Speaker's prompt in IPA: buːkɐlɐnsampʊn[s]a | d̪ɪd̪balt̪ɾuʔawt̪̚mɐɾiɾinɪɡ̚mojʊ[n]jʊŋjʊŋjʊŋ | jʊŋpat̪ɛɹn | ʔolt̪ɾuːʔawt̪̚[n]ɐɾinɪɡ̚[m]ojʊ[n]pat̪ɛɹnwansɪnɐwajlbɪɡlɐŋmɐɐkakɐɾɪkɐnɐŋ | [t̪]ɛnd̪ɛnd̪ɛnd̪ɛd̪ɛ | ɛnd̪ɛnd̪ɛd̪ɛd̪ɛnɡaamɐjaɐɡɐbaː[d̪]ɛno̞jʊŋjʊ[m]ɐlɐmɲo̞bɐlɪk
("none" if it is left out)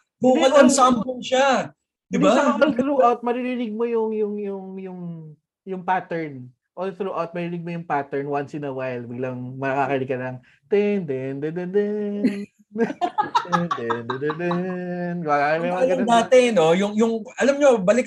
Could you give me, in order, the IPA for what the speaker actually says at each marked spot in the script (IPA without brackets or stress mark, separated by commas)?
ʃ, ŋ, m, m, ŋ, t̪, t̪, ŋ